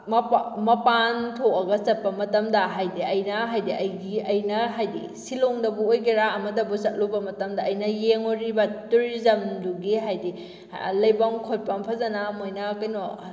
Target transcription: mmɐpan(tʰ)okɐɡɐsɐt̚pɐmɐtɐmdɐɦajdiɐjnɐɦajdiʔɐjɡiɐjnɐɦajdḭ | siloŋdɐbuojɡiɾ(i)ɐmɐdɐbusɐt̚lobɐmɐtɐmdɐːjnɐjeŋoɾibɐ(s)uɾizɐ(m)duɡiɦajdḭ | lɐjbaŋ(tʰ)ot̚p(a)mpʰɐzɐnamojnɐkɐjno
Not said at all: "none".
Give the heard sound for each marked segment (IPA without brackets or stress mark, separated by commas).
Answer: tʰ, a, t, m, kʰ, a